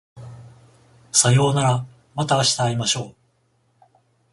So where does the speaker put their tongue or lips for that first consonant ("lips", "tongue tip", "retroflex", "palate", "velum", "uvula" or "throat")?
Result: tongue tip